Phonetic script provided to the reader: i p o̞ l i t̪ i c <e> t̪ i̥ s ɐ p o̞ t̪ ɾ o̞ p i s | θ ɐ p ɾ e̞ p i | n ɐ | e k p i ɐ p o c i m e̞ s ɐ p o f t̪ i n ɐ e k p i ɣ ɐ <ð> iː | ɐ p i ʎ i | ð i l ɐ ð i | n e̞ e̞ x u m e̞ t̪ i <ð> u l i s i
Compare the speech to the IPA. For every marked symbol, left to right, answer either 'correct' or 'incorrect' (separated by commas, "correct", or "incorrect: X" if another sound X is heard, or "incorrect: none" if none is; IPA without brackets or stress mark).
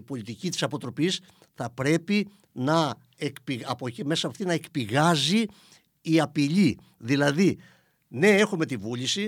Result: incorrect: i, incorrect: z, incorrect: v